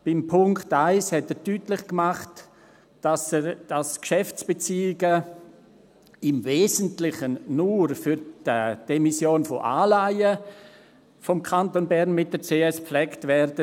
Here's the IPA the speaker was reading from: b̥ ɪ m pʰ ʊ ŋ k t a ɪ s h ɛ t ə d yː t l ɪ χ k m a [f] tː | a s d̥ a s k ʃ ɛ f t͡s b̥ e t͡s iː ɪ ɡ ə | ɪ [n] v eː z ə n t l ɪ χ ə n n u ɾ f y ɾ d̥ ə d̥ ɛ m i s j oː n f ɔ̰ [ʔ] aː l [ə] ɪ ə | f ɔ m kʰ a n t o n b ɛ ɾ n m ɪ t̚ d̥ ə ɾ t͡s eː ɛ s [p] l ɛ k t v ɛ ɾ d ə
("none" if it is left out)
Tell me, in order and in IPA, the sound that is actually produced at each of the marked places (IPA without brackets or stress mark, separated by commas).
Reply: χ, m, ʔ, a, p